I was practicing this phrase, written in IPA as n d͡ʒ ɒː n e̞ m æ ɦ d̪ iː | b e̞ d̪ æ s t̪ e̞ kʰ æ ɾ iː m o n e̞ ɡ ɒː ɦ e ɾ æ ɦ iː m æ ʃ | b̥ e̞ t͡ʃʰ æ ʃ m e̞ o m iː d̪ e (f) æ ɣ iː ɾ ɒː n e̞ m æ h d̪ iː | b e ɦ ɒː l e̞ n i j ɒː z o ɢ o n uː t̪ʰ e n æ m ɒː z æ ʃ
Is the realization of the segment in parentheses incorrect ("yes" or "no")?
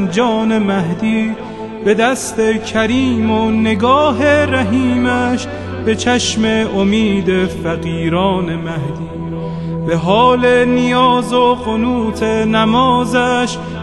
no